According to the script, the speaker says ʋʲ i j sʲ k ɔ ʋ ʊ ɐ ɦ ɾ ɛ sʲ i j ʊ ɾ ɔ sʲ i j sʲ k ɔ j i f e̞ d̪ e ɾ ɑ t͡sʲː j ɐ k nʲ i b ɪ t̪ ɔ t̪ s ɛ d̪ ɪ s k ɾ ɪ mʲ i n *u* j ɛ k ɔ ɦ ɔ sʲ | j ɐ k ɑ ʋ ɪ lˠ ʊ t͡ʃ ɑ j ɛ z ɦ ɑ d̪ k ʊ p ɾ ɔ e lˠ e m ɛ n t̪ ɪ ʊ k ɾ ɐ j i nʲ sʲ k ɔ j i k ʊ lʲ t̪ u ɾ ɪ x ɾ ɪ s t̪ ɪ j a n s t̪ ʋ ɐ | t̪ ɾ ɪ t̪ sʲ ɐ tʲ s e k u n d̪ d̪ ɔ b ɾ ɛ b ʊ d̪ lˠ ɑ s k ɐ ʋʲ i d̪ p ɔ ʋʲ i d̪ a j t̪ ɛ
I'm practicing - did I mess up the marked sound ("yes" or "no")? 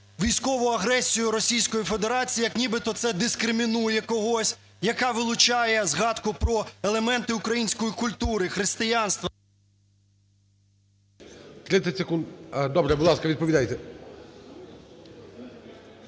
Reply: no